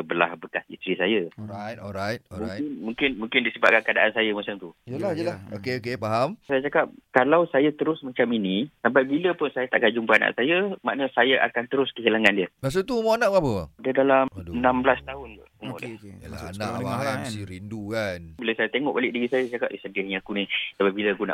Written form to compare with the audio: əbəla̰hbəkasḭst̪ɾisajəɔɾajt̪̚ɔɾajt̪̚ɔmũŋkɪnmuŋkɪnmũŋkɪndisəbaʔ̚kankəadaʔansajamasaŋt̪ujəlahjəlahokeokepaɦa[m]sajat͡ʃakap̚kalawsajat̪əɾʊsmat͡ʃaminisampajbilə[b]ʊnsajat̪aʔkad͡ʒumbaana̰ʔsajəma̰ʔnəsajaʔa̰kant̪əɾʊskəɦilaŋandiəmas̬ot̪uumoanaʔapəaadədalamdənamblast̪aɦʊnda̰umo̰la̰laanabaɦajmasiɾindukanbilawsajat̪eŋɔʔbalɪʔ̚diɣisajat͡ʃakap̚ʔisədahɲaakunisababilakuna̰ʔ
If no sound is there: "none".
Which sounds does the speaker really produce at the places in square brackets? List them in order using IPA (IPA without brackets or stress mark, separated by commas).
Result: m, p